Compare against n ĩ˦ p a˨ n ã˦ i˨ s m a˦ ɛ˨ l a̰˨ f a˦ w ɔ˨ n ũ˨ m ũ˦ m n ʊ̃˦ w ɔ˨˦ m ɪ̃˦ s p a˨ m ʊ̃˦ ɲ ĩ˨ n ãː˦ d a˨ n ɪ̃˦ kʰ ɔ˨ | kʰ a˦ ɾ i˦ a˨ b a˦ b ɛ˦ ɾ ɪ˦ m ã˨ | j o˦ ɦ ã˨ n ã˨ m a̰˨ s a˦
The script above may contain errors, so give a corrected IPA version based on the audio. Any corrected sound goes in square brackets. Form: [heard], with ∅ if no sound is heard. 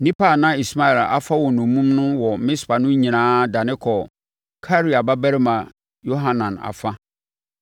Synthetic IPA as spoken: n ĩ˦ p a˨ n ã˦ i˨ s m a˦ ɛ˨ l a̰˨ f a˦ w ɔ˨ n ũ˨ m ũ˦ m n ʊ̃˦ w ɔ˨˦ m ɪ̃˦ s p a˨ [n] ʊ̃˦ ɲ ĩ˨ n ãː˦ d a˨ n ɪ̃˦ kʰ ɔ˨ | kʰ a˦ ɾ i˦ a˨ b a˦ b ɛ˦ ɾ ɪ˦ m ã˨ | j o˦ ɦ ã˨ n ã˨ [n] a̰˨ [f] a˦